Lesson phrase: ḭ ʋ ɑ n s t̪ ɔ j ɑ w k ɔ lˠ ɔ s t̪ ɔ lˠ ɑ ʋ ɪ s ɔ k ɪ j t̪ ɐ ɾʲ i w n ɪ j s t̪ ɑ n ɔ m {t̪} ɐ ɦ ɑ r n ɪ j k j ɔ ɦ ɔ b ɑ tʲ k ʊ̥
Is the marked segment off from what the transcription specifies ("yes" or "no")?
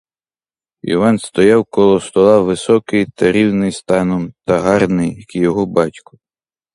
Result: no